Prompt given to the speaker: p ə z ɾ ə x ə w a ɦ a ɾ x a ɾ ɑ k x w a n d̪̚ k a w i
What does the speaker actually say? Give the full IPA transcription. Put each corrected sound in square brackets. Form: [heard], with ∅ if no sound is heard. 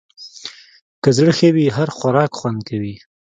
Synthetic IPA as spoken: [k] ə z [ɽ] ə x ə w [i] ɦ a ɾ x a ɾ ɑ k x w a n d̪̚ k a w i